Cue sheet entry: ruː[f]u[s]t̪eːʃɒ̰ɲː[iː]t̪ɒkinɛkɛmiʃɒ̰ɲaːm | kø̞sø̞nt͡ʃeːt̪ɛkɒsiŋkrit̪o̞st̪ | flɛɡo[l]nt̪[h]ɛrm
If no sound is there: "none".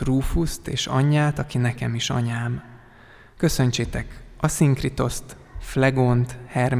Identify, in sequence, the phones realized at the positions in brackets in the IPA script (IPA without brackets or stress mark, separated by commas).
f, s, aː, none, h